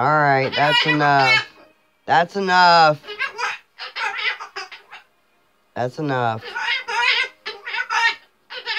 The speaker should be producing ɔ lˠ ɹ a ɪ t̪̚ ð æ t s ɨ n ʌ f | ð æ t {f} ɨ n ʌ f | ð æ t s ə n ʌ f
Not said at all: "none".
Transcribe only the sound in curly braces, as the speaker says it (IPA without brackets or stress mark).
s